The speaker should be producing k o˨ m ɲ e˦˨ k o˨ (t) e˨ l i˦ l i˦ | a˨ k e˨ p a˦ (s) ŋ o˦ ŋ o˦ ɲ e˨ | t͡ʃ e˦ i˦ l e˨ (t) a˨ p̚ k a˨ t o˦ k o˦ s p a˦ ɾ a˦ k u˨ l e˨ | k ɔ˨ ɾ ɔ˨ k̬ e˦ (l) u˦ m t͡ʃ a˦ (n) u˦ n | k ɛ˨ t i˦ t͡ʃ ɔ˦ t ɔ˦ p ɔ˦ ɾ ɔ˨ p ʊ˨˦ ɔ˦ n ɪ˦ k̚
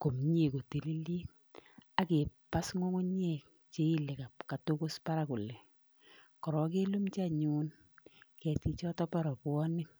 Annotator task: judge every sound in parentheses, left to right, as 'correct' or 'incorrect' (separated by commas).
correct, correct, incorrect, correct, incorrect